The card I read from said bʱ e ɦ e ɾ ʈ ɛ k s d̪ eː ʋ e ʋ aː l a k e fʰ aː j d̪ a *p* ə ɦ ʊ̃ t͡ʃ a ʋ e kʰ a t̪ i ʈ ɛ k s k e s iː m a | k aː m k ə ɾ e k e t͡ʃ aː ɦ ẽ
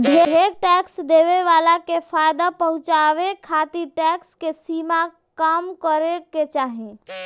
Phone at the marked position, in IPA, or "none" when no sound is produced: p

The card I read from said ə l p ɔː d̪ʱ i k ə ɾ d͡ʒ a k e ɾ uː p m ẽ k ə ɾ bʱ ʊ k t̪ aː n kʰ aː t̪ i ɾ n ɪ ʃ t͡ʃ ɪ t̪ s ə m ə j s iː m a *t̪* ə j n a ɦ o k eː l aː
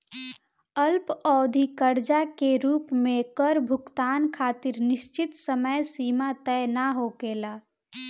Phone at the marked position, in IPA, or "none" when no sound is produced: t̪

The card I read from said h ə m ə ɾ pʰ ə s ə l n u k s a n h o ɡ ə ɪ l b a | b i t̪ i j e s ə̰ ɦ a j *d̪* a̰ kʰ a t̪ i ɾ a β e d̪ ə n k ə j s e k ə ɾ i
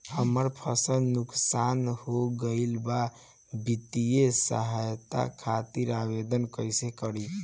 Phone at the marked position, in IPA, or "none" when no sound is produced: t̪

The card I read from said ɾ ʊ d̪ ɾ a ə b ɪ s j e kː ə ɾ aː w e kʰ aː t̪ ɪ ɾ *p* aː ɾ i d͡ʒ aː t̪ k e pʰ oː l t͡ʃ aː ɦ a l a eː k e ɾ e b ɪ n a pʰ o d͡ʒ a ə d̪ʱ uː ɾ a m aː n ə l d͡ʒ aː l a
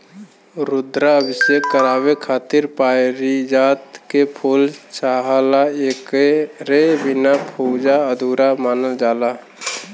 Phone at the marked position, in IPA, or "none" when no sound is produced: p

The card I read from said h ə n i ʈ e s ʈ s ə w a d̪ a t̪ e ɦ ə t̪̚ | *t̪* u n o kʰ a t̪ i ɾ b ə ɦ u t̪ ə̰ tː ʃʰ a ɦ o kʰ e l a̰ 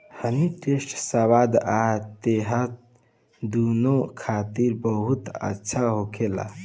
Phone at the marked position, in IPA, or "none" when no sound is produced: d̪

